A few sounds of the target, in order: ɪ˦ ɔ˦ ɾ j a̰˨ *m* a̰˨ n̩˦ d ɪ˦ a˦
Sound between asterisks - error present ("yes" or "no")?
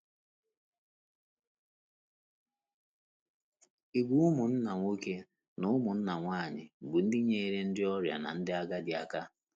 yes